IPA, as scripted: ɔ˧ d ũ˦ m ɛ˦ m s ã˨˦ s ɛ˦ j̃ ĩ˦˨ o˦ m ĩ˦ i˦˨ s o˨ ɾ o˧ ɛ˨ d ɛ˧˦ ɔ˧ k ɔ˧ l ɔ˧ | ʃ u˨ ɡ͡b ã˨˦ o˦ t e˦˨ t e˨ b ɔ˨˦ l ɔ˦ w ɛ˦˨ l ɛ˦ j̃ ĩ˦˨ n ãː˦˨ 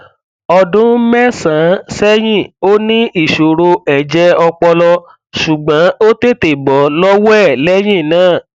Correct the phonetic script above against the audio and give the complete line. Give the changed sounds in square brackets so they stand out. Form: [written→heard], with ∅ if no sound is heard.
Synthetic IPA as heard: ɔ˧ d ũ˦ m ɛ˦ [m→∅] s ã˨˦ s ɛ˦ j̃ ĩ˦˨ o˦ [m→n] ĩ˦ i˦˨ [s→ʃ] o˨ ɾ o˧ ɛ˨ [d→d͡ʒ] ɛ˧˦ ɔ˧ [k→k͡p] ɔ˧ l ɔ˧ | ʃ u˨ ɡ͡b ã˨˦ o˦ t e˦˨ t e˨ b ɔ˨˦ l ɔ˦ w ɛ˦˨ l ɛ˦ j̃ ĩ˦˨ n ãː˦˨